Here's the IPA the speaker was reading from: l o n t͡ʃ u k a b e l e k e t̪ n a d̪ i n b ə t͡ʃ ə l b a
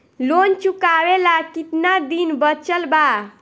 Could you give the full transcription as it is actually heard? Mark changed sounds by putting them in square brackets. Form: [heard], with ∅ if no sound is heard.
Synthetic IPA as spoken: l o n t͡ʃ u k a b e l [a] k [i] t̪ n a d̪ i n b ə t͡ʃ ə l b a